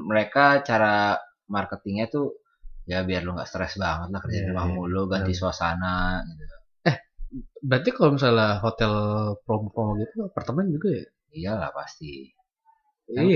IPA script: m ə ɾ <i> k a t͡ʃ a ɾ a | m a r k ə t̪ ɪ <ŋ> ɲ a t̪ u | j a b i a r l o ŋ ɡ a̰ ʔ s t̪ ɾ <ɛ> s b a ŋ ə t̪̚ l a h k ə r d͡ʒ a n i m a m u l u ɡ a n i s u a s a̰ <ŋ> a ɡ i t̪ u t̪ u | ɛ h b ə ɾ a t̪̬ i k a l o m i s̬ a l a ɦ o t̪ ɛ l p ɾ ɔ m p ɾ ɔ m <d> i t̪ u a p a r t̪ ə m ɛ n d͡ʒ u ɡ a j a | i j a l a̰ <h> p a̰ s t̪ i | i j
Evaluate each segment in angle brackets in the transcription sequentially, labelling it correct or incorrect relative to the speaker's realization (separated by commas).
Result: incorrect, correct, correct, incorrect, incorrect, correct